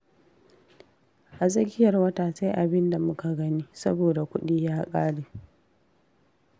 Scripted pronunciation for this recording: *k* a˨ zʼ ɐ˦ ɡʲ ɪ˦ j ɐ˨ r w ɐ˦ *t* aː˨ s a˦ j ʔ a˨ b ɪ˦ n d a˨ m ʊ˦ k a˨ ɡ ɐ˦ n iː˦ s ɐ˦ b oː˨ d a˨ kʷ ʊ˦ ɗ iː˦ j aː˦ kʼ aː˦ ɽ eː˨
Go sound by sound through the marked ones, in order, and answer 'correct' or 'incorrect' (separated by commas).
incorrect, correct